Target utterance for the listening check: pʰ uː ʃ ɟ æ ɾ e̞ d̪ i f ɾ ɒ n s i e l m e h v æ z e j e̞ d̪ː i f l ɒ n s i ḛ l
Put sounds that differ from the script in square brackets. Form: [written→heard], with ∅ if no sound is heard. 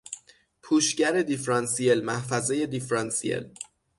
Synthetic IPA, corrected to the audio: pʰ uː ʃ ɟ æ ɾ e̞ d̪ i f ɾ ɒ n s i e l m [e→æ] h [v→f] æ z e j e̞ [d̪ː→d̪] i f [l→ɾ] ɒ n s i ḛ l